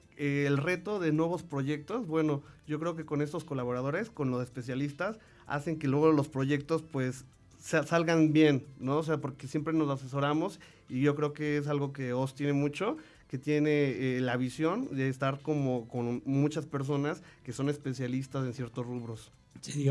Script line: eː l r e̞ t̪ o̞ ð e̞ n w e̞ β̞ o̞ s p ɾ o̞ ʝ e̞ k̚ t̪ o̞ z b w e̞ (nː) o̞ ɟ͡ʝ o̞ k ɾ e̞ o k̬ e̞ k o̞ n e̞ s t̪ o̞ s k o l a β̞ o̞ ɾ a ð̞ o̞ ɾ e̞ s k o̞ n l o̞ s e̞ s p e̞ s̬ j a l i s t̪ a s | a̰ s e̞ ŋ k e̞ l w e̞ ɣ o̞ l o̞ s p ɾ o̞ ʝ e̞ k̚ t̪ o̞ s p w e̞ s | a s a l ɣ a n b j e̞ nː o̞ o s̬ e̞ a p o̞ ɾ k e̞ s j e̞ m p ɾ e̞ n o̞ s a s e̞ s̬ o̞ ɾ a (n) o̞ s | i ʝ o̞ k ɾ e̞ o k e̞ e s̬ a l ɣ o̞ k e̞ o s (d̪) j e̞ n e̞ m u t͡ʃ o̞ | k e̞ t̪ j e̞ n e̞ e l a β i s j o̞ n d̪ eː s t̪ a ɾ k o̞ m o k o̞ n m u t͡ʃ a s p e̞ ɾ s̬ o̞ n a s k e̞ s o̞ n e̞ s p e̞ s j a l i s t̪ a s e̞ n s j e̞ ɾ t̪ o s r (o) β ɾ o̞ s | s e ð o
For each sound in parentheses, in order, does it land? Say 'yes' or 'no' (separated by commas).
no, no, no, no